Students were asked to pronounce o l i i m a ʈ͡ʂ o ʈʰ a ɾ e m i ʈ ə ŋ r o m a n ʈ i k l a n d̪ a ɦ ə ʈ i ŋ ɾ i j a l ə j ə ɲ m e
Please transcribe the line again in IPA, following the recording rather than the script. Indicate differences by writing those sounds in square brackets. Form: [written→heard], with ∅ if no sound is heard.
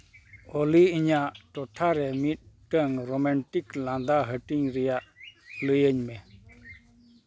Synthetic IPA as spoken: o l i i [m→ɲ] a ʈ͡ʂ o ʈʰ a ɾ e m i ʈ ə ŋ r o m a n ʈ i k l a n d̪ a ɦ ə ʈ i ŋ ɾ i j a l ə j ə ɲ m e